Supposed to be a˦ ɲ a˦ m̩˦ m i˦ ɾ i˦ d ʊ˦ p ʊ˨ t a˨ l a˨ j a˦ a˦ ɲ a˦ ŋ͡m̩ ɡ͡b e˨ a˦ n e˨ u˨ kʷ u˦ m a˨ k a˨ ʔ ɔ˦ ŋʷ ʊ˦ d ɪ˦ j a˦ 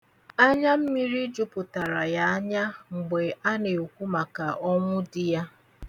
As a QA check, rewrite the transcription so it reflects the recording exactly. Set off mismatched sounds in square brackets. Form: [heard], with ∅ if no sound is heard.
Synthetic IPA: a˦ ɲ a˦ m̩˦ m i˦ ɾ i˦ [d͡ʒ] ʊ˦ p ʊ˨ t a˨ [ɾ] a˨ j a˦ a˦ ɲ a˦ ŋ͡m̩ ɡ͡b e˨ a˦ n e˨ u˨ kʷ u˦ m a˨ k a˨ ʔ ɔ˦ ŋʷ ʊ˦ d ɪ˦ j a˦